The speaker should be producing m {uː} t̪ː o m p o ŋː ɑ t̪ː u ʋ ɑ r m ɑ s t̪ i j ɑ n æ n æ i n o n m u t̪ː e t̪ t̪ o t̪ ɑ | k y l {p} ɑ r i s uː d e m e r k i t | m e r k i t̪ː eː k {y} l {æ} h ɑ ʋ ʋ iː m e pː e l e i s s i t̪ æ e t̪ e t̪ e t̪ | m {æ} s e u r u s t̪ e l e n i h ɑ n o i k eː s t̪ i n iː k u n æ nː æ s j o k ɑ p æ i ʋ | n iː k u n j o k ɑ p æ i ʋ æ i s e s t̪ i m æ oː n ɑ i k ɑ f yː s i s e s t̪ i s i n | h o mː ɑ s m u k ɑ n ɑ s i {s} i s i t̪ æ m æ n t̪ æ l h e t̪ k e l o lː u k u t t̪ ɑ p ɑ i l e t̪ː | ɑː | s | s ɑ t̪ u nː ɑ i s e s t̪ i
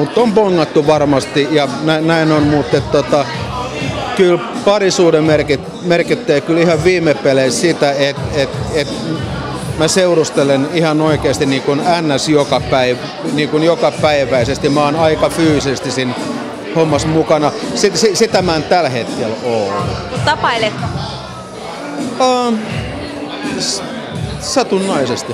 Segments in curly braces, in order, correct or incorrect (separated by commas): incorrect, correct, correct, incorrect, correct, correct